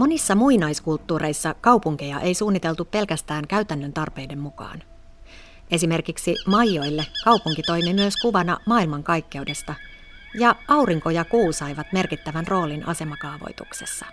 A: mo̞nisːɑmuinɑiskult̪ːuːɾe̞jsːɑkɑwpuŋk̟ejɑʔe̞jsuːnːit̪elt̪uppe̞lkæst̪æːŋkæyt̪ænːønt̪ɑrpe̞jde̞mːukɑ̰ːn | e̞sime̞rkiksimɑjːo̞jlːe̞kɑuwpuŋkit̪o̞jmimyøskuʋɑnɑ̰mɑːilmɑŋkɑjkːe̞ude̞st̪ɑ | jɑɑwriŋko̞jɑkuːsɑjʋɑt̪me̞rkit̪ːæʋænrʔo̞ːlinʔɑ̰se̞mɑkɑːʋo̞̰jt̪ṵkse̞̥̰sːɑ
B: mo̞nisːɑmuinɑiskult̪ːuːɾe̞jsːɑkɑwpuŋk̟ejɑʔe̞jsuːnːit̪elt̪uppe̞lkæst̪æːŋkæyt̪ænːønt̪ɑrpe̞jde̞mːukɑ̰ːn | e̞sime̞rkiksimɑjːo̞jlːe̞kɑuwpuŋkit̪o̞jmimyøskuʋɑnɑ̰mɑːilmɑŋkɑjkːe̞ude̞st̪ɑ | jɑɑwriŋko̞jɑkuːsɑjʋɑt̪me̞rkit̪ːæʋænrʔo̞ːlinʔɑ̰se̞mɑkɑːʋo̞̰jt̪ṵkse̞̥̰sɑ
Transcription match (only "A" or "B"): A